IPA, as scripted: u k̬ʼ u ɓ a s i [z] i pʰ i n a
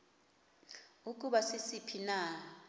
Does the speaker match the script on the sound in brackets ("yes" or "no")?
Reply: no